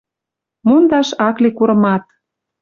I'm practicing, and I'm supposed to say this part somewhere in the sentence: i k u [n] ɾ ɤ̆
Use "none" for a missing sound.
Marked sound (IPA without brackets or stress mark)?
none